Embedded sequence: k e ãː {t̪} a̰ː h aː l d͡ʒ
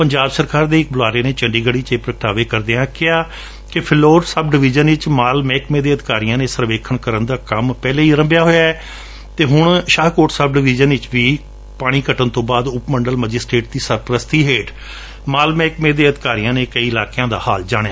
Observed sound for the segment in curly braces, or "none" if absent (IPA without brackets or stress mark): d̪